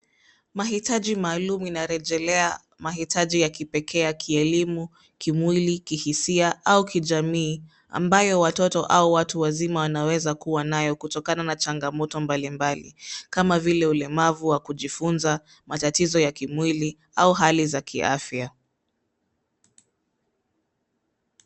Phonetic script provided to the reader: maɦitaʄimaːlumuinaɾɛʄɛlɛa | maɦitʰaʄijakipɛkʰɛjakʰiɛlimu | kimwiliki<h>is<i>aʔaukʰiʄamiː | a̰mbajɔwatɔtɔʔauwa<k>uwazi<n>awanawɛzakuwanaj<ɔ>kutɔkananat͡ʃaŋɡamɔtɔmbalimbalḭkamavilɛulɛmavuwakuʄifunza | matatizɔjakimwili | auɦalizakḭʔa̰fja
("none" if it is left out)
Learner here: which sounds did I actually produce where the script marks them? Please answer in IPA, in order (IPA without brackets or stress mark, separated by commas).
h, i, t, m, ɔ